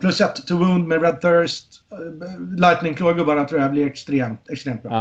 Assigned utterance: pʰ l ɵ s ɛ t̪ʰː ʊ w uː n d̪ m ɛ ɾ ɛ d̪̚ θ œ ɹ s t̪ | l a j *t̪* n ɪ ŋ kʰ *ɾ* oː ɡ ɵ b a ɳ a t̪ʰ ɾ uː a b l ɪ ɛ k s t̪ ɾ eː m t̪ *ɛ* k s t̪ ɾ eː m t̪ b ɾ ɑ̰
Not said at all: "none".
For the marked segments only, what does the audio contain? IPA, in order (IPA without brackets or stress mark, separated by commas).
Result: t̪, l, ɛ